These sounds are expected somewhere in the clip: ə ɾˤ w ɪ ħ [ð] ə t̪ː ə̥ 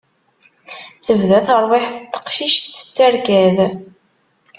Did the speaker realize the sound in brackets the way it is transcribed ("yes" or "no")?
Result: no